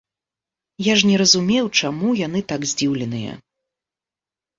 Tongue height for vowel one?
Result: low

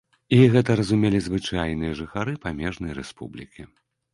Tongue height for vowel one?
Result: high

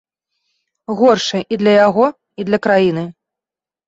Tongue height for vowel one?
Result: mid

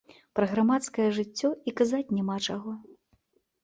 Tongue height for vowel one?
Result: low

